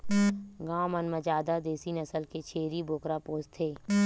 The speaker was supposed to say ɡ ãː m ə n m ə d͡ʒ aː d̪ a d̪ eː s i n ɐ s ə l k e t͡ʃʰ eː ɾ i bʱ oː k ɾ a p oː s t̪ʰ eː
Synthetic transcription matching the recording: ɡ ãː m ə n m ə d͡ʒ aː d̪ a d̪ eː s i n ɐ s ə l k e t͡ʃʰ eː ɾ i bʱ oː k ɾ a p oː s t̪ʰ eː